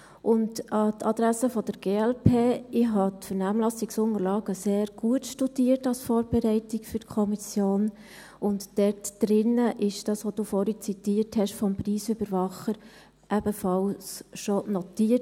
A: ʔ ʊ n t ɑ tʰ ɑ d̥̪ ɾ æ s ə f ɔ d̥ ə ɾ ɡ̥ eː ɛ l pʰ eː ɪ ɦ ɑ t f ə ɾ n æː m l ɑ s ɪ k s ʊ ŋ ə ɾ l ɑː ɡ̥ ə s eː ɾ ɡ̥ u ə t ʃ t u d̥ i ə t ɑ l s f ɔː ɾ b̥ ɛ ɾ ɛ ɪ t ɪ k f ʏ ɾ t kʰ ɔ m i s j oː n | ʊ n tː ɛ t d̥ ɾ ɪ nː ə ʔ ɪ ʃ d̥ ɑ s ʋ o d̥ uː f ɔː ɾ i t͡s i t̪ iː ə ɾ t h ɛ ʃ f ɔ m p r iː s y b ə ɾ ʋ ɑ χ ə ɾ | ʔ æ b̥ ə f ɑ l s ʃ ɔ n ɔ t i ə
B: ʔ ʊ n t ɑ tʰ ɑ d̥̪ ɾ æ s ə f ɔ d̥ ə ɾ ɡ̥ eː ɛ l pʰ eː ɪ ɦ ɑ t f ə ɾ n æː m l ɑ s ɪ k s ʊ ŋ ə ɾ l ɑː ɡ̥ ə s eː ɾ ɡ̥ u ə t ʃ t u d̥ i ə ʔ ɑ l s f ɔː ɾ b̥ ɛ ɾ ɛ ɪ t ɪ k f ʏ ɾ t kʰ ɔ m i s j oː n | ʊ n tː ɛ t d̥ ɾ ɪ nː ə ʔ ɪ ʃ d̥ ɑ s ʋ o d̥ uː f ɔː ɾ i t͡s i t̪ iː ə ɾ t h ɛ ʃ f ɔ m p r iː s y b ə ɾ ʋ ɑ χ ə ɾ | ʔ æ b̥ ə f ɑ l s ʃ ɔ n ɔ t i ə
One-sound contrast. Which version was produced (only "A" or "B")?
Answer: A